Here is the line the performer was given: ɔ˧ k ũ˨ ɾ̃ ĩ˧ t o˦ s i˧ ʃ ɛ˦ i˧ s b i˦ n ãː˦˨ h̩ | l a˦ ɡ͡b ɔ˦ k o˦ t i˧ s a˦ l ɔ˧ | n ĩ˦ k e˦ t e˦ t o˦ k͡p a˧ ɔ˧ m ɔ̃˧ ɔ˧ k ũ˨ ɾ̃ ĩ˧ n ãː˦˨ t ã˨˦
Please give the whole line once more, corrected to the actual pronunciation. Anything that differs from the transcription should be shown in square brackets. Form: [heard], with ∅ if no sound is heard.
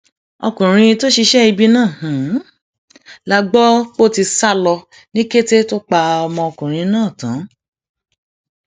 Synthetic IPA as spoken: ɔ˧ k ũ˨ ɾ̃ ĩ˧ t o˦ [ʃ] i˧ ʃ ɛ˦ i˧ [∅] b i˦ n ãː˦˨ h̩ | l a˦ ɡ͡b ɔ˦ [k͡p] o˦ t i˧ s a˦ l ɔ˧ | n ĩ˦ k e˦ t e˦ t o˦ k͡p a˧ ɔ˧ m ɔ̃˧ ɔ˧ k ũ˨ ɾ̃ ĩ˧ n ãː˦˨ t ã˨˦

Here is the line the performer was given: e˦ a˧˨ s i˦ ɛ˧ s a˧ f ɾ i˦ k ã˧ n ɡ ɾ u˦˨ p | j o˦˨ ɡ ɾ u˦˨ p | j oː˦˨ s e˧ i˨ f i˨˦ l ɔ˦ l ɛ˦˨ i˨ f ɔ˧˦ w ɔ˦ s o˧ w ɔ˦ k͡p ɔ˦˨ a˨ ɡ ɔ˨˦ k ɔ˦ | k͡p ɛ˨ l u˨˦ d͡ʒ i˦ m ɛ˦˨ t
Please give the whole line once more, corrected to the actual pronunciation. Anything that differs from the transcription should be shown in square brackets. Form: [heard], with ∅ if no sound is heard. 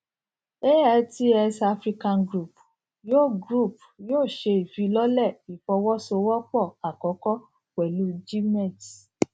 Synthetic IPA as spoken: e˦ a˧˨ [t] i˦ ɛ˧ s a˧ f ɾ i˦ k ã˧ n ɡ ɾ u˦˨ p | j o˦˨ ɡ ɾ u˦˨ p | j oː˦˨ [ʃ] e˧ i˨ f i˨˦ l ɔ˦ l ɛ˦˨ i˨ f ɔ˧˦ w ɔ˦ s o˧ w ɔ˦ k͡p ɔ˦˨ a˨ [k] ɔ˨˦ k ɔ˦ | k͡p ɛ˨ l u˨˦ d͡ʒ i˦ m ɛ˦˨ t

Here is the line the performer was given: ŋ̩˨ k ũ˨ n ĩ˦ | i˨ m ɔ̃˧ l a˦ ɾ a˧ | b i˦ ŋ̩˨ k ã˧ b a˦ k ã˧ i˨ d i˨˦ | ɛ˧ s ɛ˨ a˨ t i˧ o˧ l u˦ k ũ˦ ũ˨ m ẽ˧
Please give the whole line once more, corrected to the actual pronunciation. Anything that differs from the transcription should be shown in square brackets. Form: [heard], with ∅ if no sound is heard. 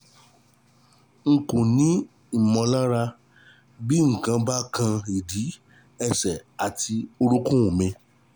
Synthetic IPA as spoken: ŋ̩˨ k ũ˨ n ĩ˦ | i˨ m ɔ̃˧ l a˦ ɾ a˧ | b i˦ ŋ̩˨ k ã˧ b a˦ k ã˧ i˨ d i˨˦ | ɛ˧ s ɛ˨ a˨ t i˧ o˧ [ɾ] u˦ k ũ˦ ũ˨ m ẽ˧

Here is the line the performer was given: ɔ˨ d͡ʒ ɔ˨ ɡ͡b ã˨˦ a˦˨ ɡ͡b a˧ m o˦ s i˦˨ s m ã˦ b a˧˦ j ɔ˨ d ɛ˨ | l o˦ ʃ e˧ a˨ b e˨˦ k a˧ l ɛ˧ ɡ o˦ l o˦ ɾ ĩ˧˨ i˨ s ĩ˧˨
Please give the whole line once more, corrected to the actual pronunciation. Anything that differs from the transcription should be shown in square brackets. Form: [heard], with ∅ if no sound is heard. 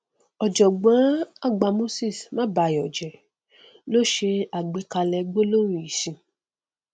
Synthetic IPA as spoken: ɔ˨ d͡ʒ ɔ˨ ɡ͡b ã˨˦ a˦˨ ɡ͡b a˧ m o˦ s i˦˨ s m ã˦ b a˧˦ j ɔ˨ [d͡ʒ] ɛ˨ | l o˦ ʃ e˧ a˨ [ɡ͡b] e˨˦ k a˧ l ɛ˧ [ɡ͡b] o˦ l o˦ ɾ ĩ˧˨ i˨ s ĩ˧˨

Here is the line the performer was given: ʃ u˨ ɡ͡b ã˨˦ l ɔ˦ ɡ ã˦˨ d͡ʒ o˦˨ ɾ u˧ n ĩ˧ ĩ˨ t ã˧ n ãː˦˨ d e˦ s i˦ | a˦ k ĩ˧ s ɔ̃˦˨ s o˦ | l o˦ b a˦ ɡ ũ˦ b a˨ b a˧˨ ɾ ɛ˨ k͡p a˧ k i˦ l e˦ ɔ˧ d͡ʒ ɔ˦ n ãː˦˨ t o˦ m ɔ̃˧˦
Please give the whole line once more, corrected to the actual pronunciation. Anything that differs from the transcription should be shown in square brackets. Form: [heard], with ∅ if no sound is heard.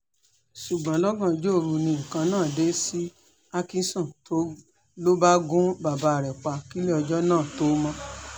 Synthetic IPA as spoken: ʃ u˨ ɡ͡b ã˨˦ l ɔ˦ ɡ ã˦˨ d͡ʒ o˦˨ ɾ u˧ n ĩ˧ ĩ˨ [k] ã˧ n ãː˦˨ d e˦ s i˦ | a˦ k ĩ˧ s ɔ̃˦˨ [t] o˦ | l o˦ b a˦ ɡ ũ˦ b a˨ b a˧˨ ɾ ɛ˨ k͡p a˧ k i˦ l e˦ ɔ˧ d͡ʒ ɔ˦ n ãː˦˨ t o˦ m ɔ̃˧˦

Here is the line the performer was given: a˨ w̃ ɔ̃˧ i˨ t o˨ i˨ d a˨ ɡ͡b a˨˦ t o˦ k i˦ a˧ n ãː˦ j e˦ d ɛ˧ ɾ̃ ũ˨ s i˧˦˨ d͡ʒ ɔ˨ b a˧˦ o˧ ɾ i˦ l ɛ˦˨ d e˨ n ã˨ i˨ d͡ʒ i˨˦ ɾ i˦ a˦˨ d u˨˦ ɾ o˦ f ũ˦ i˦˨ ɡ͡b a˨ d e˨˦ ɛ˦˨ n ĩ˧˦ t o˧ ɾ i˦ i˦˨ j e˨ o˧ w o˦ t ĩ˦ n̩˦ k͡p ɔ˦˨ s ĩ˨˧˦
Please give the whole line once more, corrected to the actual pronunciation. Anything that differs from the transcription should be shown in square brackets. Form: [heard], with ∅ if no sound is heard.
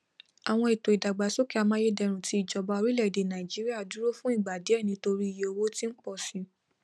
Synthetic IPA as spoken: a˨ w̃ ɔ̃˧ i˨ t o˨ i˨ d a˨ ɡ͡b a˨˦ [s] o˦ k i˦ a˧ [m] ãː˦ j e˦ d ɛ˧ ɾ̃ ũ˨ [t] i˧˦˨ d͡ʒ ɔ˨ b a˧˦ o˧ ɾ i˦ l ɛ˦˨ d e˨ n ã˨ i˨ d͡ʒ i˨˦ ɾ i˦ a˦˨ d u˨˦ ɾ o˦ f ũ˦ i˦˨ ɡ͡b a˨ d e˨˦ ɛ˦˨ n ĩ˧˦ t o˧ ɾ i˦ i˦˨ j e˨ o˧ w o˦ t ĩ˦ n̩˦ k͡p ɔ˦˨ s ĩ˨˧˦

